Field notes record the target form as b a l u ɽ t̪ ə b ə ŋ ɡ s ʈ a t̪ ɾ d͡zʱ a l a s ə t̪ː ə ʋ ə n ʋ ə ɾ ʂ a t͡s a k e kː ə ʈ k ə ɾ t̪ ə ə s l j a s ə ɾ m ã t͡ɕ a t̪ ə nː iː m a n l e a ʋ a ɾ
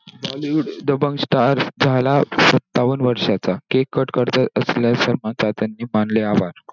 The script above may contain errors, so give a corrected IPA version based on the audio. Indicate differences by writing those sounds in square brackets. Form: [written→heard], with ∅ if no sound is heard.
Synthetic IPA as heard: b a l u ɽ [t̪→d̪] ə b ə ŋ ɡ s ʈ a [t̪→∅] ɾ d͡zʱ a l a s ə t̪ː [ə→a] ʋ ə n ʋ ə ɾ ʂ a t͡s a k e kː ə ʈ k ə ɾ t̪ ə ə s l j a s ə ɾ m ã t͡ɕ a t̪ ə nː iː m a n l e a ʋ a ɾ